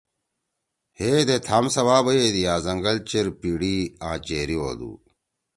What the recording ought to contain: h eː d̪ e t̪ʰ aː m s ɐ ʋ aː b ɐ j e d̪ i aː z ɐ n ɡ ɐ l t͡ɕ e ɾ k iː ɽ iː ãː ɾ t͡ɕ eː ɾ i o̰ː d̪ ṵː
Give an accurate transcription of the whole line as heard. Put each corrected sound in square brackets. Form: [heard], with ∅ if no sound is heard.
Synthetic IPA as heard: h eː d̪ e t̪ʰ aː m s ɐ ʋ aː b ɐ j e d̪ i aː z ɐ [ŋ] ɡ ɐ l t͡ɕ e ɾ [p] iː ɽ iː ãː [∅] t͡ɕ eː ɾ i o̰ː d̪ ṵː